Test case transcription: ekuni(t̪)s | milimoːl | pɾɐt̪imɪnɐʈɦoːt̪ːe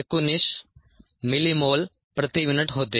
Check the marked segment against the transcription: incorrect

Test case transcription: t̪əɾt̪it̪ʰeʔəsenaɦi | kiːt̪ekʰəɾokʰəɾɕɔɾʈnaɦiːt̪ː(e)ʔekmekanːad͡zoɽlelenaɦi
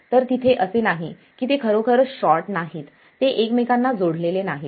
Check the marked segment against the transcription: correct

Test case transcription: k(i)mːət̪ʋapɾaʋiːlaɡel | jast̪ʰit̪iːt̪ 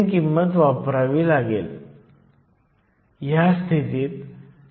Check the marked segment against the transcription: correct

